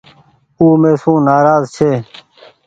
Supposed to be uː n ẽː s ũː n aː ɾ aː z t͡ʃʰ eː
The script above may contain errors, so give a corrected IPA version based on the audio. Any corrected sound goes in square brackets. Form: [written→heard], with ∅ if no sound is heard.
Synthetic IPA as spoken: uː [n→m] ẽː s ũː n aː ɾ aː z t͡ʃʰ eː